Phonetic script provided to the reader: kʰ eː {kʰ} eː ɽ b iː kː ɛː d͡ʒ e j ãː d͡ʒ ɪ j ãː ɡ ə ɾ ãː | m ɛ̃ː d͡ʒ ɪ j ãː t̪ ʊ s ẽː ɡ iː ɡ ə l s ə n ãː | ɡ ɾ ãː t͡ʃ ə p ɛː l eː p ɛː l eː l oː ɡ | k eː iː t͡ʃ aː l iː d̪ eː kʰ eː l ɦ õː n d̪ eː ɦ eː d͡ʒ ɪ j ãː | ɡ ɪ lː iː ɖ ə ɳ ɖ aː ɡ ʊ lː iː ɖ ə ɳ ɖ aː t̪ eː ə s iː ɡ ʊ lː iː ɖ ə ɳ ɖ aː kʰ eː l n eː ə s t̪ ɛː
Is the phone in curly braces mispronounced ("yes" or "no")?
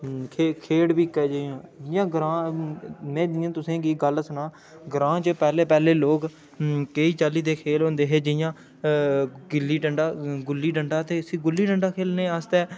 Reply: no